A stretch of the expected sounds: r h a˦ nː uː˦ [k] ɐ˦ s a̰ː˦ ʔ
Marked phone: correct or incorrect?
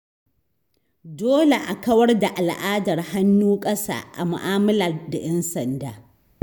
incorrect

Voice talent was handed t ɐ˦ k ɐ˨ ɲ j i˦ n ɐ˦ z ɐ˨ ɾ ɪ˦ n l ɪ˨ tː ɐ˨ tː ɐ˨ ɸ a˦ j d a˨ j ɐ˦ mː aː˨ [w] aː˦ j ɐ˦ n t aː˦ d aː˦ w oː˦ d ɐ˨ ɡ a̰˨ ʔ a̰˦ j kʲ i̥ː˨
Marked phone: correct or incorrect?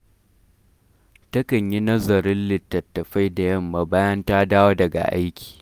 incorrect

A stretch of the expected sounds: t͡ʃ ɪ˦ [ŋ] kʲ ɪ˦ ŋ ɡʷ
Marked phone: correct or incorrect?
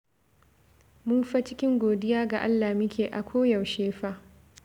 incorrect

